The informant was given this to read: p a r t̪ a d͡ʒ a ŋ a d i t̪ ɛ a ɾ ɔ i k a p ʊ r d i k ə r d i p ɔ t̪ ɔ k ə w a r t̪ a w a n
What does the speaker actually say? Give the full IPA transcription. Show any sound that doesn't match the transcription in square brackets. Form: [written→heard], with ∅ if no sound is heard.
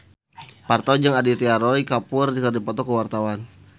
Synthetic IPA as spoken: p a r t̪ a d͡ʒ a ŋ a d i t̪ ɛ a ɾ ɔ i k a p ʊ r d i k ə r d i p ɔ t̪ ɔ k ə w a r t̪ a w a n